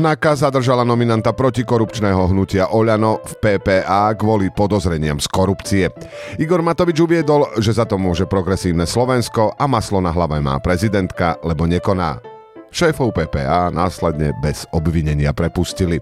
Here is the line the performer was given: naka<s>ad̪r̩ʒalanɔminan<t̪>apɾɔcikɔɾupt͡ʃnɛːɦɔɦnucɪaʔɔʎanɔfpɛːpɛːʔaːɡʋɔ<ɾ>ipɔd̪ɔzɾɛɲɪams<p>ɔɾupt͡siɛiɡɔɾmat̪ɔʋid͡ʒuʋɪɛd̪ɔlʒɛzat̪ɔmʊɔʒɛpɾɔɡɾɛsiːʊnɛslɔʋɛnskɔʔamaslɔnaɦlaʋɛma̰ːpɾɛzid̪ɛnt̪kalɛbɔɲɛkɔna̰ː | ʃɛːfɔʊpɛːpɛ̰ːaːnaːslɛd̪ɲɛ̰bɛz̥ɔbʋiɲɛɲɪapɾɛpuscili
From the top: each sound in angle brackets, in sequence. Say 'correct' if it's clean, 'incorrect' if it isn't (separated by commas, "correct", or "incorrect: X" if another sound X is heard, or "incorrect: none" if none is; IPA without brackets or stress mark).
incorrect: z, correct, incorrect: l, incorrect: k